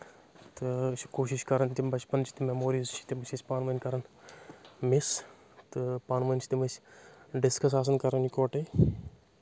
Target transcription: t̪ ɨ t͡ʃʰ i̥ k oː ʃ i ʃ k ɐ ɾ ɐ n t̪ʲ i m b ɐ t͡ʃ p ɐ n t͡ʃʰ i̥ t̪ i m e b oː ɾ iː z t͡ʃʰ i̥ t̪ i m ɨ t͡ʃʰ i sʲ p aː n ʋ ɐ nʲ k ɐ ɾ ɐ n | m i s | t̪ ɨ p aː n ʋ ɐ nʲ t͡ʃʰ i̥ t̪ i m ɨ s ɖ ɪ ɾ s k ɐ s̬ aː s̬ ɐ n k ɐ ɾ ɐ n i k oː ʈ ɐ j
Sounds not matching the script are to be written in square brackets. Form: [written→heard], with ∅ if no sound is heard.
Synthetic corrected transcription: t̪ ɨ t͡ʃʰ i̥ k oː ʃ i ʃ k ɐ ɾ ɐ n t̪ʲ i m b ɐ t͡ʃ p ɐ n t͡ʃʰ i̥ t̪ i m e [b→m] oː ɾ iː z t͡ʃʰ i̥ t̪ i m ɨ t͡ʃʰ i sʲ p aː n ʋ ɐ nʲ k ɐ ɾ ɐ n | m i s | t̪ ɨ p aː n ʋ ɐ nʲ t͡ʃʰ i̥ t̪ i m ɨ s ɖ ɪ [ɾ→∅] s k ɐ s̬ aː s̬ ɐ n k ɐ ɾ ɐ n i k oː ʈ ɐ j